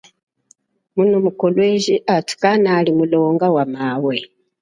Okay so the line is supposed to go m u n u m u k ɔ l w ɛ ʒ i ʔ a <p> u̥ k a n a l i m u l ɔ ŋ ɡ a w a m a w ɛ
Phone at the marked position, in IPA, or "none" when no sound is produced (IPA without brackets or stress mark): t